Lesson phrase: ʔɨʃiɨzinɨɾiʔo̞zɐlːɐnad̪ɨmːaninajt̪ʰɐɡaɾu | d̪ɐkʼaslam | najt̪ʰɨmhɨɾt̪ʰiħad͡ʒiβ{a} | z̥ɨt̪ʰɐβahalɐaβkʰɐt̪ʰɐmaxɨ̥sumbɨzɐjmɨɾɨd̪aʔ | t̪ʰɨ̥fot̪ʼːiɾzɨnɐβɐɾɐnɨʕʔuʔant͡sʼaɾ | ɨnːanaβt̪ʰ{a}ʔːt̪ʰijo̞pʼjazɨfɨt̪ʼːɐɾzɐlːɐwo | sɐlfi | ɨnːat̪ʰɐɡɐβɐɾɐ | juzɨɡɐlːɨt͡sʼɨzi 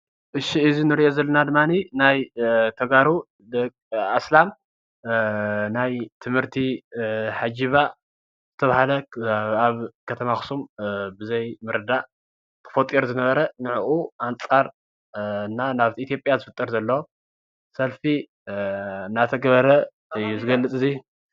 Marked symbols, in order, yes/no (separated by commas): yes, no